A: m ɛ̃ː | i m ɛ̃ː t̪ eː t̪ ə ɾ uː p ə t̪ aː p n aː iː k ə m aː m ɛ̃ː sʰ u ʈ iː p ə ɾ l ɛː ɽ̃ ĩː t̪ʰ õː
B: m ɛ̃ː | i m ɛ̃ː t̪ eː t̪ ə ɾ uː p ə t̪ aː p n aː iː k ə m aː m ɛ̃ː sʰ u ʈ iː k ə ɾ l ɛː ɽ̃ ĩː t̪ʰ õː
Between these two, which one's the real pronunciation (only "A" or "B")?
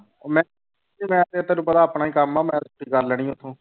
B